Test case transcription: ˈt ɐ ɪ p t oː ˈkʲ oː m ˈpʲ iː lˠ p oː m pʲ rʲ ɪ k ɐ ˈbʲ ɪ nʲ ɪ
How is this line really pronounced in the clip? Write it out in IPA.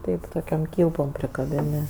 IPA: ˈt ɐ ɪ p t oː ˈkʲ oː m ˈkʲ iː lˠ p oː m pʲ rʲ ɪ k ɐ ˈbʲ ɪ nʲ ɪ